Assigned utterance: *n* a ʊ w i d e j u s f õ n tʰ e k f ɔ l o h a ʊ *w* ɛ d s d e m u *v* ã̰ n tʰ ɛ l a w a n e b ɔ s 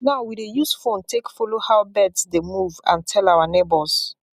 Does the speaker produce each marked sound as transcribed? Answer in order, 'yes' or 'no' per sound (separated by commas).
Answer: yes, no, yes